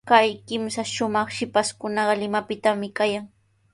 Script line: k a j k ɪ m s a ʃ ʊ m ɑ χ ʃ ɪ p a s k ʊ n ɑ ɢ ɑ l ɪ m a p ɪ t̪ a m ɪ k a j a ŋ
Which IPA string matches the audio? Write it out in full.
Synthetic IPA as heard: k a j k ɪ m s a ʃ ʊ m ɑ χ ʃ ɪ p a s k ʊ n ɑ ɢ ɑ l ɪ m a p ɪ t̪ a m ɪ k a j a ŋ

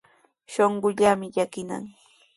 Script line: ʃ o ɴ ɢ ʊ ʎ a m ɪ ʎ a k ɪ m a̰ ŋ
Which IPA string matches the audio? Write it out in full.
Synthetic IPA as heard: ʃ o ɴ ɢ ʊ ʎ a m ɪ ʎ a k ɪ n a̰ ŋ

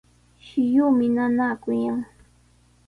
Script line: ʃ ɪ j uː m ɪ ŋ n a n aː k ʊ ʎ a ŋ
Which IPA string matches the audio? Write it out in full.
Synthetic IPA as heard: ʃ ɪ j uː m ɪ n a n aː k ʊ j a ŋ

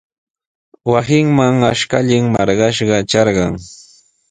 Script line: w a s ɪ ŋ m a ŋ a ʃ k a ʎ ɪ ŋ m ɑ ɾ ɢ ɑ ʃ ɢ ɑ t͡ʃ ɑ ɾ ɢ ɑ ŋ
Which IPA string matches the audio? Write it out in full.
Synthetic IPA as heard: w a s ɪ ŋ m a ŋ a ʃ k a ʎ ɪ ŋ m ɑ ɾ ɢ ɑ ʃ ɢ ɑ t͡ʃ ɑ ɾ ɢ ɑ ŋ

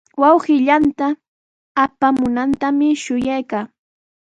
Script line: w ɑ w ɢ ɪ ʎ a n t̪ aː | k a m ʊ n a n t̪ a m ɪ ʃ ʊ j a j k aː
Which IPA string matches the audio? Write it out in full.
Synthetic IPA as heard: w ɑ w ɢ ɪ ʎ a n t̪ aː | p a m ʊ n a n t̪ a m ɪ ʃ ʊ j a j k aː

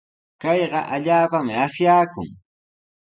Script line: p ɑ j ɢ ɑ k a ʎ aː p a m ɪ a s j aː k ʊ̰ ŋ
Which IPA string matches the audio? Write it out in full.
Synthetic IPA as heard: k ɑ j ɢ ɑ ʔ a ʎ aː p a m ɪ a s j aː k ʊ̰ ŋ

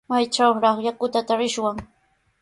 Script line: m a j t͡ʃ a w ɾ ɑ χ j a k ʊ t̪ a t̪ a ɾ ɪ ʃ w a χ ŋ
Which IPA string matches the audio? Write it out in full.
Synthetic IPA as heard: m a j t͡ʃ a w ɾ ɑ χ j a k ʊ t̪ a t̪ a ɾ ɪ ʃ w a ŋ

